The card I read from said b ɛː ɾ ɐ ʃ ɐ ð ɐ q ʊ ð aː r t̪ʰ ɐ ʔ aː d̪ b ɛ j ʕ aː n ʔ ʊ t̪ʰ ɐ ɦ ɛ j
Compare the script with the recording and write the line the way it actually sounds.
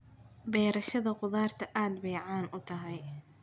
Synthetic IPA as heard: b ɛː ɾ ɐ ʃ ɐ ð ɐ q ʊ ð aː r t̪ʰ ɐ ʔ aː d̪ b ɛ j ʕ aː n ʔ ʊ t̪ʰ ɐ ɦ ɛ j